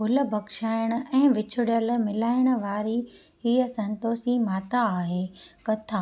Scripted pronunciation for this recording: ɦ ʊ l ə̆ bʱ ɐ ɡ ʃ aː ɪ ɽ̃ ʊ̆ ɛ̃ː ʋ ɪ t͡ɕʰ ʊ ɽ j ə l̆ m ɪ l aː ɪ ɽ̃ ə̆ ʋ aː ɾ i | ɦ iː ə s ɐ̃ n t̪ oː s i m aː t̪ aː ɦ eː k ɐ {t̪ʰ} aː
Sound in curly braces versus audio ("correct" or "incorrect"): correct